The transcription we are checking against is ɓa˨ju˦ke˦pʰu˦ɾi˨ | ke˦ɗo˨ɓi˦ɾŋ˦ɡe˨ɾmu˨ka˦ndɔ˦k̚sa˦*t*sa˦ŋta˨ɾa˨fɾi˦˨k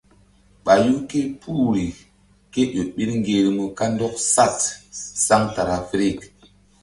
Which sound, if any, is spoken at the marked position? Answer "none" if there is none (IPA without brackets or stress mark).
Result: t